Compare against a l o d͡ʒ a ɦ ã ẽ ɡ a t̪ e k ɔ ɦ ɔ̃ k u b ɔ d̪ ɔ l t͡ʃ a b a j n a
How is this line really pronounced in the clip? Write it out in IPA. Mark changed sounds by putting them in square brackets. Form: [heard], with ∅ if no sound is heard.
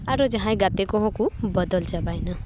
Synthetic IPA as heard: a [ɾ] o d͡ʒ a ɦ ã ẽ ɡ a t̪ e k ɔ ɦ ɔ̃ k u b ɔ d̪ ɔ l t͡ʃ a b a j n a